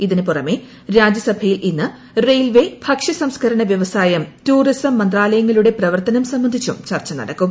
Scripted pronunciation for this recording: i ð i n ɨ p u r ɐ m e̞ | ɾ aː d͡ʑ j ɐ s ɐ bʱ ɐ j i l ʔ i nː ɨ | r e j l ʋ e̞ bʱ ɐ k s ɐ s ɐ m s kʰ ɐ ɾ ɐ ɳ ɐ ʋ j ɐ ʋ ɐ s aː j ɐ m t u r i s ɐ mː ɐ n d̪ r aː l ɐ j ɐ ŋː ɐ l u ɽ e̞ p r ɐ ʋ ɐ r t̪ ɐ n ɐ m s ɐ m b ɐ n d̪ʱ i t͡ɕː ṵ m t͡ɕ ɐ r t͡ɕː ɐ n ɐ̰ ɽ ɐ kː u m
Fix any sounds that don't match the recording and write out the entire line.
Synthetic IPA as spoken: i ð i n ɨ p u r ɐ m e̞ | ɾ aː d͡ʑ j ɐ s ɐ bʱ ɐ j i l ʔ i nː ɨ | r e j l ʋ e̞ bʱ ɐ k ʂ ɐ s ɐ m s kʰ ɐ ɾ ɐ ɳ ɐ ʋ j ɐ ʋ ɐ s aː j ɐ m t uː r i s ɐ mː ɐ n d̪ r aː l ɐ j ɐ ŋː ɐ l u ɽ e̞ p r ɐ ʋ ɐ r t̪ ɐ n ɐ m s ɐ m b ɐ n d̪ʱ i t͡ɕː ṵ m t͡ɕ ɐ r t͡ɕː ɐ n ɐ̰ ɽ ɐ kː u m

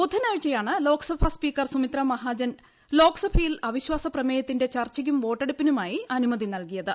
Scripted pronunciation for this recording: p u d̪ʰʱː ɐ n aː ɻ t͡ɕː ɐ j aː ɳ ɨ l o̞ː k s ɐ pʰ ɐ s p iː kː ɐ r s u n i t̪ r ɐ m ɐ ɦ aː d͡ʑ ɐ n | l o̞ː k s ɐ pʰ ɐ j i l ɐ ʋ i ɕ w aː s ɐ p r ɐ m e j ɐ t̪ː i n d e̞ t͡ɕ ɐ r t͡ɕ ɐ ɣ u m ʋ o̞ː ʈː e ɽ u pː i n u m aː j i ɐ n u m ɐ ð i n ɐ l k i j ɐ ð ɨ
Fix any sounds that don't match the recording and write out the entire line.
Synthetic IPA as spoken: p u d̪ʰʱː ɐ n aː ɻ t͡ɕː ɐ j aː ɳ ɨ l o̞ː k s ɐ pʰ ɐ s p iː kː ɐ r s u m i t̪ r ɐ m ɐ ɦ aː d͡ʑ ɐ n | l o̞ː k s ɐ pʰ ɐ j i l ɐ ʋ i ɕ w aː s ɐ p r ɐ m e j ɐ t̪ː i n d e̞ t͡ɕ ɐ r t͡ɕ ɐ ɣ u m ʋ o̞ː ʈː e ɽ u pː i n u m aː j i ɐ n u m ɐ ð i n ɐ l k i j ɐ ð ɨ

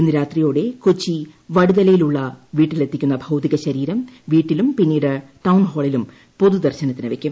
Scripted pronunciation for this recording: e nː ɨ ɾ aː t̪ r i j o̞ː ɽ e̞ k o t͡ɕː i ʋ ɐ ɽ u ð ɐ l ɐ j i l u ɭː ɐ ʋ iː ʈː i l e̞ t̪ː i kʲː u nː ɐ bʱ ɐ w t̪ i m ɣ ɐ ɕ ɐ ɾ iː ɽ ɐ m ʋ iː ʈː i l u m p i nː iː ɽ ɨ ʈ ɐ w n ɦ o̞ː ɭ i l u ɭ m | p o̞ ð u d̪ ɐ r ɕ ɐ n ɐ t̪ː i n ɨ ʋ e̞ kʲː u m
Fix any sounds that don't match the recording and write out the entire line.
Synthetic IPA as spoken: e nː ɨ ɾ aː t̪ r i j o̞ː ɽ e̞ k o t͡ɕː i ʋ ɐ ɽ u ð ɐ l ɐ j i l u ɭː ɐ ʋ iː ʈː i l e̞ t̪ː i kʲː u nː ɐ bʱ ɐ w t̪ i ɣ ɐ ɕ ɐ ɾ iː ɾ ɐ m ʋ iː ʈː i l u m p i nː iː ɽ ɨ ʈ ɐ w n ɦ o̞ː ɭ i l u m | p o̞ ð u d̪ ɐ r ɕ ɐ n ɐ t̪ː i n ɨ ʋ e̞ kʲː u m

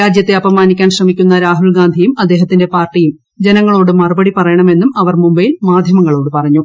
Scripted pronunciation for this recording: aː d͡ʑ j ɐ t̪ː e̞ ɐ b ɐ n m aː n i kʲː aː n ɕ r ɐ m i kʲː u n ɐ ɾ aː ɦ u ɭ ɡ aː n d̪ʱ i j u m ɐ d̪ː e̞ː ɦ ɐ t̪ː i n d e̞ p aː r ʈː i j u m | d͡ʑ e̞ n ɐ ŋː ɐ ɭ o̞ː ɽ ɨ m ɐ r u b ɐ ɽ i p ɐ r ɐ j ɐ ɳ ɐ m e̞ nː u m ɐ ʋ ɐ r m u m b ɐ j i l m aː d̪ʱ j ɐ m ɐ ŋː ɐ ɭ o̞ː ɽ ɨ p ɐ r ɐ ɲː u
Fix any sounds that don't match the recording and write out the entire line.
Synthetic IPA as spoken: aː d͡ʑ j ɐ t̪ː e̞ ɐ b ɐ m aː n i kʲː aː n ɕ r ɐ m i kʲː u nː ɐ ɾ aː ɦ u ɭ ɡ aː n d̪ʱ i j u m ɐ d̪ː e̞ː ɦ ɐ t̪ː i n d e̞ p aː r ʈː i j u m | d͡ʑ e̞ n ɐ ŋː ɐ ɭ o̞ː ɽ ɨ m ɐ r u b ɐ ɽ i p ɐ r ɐ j ɐ ɳ ɐ m e̞ nː u m ɐ ʋ ɐ r m u m b ɐ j i l m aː d̪ʱ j ɐ m ɐ ŋː ɐ ɭ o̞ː ɽ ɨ p ɐ r ɐ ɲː u

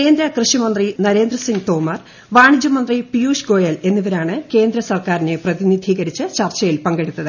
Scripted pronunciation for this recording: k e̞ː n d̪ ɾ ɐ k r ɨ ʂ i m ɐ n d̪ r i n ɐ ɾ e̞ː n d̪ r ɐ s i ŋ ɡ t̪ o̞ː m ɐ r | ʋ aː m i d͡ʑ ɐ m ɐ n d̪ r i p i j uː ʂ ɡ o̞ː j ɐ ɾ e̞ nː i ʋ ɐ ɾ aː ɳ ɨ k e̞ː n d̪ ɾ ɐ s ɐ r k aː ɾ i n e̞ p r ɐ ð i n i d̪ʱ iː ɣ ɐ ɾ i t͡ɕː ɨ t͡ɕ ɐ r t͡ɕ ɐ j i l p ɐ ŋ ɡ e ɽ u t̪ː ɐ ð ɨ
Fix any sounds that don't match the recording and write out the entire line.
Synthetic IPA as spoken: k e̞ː n d̪ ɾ ɐ k r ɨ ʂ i m ɐ n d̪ r i n ɐ ɾ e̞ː n d̪ r ɐ s i ŋ ɡ t̪ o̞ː m ɐ r | ʋ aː ɳ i d͡ʑ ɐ m ɐ n d̪ r i p i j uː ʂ ɡ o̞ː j ɐ l e̞ nː i ʋ ɐ ɾ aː ɳ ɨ k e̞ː n d̪ ɾ ɐ s ɐ r k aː ɾ i n e̞ p r ɐ ð i n i d̪ʱ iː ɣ ɐ ɾ i t͡ɕː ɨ t͡ɕ ɐ r t͡ɕ ɐ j i l p ɐ ŋ ɡ e ɽ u t̪ː ɐ ð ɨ

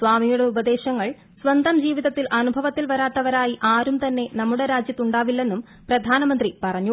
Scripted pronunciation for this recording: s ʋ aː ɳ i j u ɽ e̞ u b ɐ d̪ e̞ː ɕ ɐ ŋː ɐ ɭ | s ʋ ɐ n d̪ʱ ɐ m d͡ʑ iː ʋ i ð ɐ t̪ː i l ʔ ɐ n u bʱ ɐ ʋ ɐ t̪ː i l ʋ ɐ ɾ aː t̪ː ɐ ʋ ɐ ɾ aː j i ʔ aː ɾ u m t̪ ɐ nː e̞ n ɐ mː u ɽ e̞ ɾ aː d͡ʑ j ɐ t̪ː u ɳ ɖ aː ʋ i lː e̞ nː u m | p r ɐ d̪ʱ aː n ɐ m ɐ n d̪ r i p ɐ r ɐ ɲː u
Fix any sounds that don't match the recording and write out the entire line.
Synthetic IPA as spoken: s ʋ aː m i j u ɽ e̞ u b ɐ d̪ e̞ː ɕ ɐ ŋː ɐ ɭ | s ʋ ɐ n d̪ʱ ɐ m d͡ʑ iː ʋ i ð ɐ t̪ː i l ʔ ɐ n u bʱ ɐ ʋ ɐ t̪ː i l ʋ ɐ ɾ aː t̪ː ɐ ʋ ɐ ɾ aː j i ʔ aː ɾ u m t̪ ɐ nː e̞ n ɐ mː u ɽ e̞ ɾ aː d͡ʑ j ɐ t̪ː u ɳ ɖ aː ʋ i lː e̞ nː u m | p r ɐ d̪ʱ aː n ɐ m ɐ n d̪ r i p ɐ r ɐ ɲː u

